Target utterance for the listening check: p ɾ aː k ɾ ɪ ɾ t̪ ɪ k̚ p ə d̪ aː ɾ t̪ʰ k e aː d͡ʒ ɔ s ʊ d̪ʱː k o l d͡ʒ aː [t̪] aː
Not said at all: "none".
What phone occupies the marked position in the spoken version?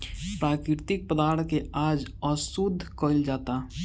t̪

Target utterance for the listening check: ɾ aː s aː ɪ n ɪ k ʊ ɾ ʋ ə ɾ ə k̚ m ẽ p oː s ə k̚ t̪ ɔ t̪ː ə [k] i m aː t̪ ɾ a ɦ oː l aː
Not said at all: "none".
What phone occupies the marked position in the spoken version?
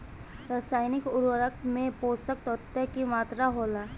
k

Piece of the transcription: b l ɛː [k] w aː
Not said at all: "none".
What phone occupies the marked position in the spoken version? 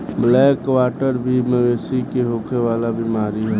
k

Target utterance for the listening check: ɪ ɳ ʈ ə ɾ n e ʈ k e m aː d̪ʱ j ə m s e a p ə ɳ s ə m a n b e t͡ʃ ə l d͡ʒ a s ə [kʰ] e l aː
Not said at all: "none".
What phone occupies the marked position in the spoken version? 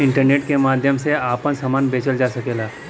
k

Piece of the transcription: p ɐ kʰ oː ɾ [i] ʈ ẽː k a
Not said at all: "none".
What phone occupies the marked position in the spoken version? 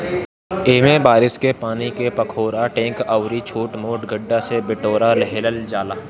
a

